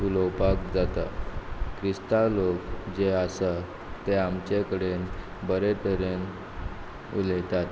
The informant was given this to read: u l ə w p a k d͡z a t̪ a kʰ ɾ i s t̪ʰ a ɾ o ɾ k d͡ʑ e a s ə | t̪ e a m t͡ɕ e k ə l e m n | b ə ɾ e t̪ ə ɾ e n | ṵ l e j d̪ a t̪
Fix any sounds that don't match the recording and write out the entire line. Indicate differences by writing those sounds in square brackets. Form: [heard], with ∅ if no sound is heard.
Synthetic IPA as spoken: u l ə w p a k d͡z a t̪ a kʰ ɾ i s [t̪] a [l] o [∅] k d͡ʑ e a s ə | t̪ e a m t͡ɕ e k ə [ɽ] e [∅] n | b ə ɾ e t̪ ə ɾ e n | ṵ l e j [t̪] a t̪